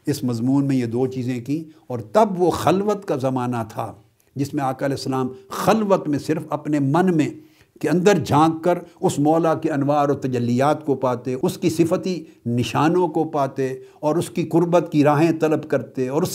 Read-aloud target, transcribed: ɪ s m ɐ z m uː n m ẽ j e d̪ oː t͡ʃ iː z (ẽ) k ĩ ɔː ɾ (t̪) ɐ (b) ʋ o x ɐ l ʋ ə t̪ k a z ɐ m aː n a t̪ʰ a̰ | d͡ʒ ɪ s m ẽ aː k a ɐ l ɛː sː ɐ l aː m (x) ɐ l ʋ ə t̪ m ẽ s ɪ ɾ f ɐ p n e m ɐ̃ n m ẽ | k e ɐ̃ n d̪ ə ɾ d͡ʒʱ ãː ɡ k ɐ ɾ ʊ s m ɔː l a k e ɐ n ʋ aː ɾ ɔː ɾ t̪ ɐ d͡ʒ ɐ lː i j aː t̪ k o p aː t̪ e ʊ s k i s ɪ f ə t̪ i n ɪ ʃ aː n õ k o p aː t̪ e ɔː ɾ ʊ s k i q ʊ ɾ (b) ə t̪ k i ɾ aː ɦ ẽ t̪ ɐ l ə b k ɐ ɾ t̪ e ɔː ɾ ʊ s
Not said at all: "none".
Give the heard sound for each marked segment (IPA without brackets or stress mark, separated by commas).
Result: ẽ, t̪, b, x, b